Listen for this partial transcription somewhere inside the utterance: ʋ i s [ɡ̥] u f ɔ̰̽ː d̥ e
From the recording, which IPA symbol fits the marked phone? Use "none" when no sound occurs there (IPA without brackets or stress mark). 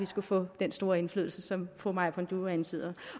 ɡ̥